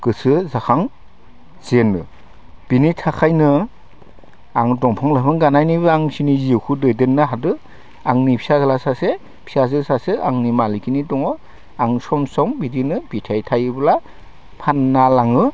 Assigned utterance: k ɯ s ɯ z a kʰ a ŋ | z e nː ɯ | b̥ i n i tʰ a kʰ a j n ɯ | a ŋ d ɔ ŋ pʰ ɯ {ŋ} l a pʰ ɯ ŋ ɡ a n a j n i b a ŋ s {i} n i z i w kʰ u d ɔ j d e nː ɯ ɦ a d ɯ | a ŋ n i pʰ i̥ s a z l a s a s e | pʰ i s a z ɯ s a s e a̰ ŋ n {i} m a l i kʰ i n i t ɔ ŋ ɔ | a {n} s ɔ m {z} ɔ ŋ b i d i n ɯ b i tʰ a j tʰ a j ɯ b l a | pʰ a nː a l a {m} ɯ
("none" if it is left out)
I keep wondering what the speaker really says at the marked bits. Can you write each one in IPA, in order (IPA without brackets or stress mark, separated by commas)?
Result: ŋ, i, i, ŋ, s, ŋ